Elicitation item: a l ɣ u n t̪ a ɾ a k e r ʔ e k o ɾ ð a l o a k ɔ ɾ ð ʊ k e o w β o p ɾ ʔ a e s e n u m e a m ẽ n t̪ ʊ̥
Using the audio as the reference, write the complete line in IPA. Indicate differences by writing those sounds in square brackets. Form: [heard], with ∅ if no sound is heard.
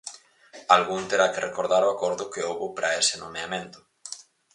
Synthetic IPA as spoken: a l ɣ u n t̪ [e] ɾ a k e r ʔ e k o ɾ ð a [ɾ] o a k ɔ ɾ ð ʊ k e o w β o p ɾ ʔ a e s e n [o] m e a m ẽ n t̪ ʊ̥